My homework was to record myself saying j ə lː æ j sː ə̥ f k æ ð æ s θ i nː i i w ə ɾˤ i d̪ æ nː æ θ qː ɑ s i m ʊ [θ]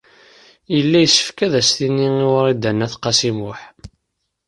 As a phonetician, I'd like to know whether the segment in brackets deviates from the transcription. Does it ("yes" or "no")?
yes